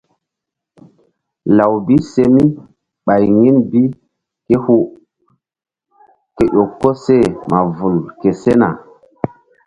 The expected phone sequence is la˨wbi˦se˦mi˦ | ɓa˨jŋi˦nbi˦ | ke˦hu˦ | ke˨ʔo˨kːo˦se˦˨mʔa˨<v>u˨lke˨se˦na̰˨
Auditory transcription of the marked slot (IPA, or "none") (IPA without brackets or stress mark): v